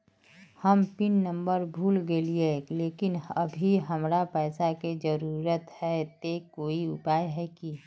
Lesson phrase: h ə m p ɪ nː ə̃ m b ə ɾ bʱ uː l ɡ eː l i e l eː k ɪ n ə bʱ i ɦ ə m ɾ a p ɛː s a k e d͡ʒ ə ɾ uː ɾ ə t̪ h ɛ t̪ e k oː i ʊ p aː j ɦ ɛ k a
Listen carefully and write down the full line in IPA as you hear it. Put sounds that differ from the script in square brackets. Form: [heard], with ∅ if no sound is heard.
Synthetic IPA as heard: h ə m p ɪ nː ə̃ m b ə ɾ bʱ uː l ɡ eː l i e l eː k ɪ n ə bʱ i ɦ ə m ɾ a p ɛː s a k e d͡ʒ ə ɾ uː ɾ ə t̪ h ɛ t̪ e k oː i ʊ p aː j ɦ ɛ k [i]